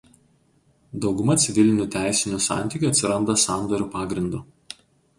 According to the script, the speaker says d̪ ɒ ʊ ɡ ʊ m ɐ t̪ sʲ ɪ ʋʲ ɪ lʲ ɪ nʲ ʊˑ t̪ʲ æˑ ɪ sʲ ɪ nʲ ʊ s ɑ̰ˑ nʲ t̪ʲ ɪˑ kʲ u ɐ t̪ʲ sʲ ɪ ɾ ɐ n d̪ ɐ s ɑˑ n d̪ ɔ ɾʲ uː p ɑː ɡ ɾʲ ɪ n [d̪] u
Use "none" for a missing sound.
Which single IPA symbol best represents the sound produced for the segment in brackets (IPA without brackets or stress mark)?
d̪